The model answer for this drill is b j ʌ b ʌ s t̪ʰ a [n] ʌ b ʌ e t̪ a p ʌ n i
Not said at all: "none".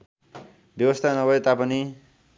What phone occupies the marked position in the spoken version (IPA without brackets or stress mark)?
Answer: n